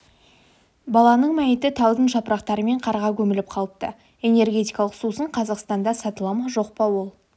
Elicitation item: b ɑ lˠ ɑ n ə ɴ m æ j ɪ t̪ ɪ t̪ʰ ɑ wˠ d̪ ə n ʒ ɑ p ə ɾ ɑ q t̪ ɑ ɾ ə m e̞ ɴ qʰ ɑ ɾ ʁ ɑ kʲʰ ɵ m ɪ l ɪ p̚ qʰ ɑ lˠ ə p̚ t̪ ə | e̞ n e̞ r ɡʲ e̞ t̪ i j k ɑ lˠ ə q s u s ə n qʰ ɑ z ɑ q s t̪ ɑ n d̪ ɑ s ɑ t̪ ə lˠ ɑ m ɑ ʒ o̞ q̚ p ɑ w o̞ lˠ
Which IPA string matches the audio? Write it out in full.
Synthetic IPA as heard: b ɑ lˠ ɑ n ə ɴ m æ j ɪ t̪ ɪ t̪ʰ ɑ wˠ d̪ ə n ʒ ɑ p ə ɾ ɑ q t̪ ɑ ɾ ə m e̞ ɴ qʰ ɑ ɾ ʁ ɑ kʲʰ ɵ m ɪ l ɪ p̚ qʰ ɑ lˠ ə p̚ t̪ ə | e̞ n e̞ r ɡʲ e̞ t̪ i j k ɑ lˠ ə q s u s ə ɴ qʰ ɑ z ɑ q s t̪ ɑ n d̪ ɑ s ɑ t̪ ə lˠ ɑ m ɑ ʒ o̞ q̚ p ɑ w o̞ lˠ